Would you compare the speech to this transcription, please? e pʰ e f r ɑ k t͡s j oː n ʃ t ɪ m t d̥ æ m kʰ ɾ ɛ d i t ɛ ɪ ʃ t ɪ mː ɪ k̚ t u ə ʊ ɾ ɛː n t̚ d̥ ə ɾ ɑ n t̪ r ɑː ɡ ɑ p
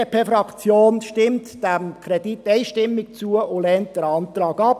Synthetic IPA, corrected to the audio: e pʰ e f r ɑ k t͡s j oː n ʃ t ɪ m t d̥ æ m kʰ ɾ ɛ d i t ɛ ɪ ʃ t ɪ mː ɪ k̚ t͡s u ə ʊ l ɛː n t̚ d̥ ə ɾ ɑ n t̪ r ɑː ɡ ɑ p